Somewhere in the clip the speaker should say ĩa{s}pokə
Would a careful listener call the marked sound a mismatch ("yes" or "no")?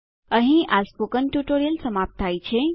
no